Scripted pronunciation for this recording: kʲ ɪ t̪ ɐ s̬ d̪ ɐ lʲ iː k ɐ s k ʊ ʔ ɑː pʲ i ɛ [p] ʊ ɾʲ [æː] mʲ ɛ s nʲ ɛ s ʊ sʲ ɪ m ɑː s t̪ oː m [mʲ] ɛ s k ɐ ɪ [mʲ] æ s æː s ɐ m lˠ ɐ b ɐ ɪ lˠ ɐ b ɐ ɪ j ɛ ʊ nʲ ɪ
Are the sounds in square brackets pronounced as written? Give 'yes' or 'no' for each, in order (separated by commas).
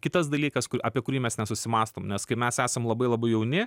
no, no, no, yes